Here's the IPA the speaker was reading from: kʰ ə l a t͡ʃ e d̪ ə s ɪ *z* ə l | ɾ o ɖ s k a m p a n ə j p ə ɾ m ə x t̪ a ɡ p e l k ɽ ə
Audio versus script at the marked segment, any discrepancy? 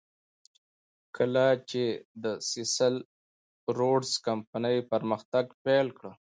yes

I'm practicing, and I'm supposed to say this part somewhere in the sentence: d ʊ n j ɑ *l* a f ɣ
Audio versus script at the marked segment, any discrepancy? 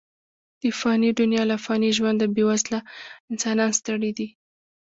no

